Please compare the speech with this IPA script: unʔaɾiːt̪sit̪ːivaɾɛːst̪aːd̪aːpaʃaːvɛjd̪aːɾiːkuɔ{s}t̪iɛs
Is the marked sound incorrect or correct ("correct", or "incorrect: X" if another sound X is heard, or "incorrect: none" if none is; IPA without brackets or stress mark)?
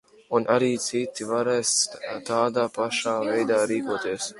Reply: incorrect: none